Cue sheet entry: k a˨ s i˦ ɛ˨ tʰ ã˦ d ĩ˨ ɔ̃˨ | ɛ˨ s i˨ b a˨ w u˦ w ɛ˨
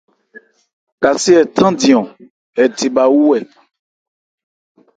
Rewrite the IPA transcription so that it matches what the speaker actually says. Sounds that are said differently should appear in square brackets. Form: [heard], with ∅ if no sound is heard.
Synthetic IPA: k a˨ s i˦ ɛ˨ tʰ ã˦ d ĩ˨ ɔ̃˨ | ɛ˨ [t] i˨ b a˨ w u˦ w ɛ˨